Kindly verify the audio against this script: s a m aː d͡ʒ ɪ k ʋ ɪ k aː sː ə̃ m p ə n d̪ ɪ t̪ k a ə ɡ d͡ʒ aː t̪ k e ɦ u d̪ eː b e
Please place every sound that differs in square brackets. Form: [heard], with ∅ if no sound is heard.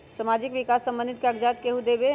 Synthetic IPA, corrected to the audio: s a m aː d͡ʒ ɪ k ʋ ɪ k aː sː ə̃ m [b] ə n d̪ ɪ t̪ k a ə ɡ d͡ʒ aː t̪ k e ɦ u d̪ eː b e